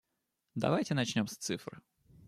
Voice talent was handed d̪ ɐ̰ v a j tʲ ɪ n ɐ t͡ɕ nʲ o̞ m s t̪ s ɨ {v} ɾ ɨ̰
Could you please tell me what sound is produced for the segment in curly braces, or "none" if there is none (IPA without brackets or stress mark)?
f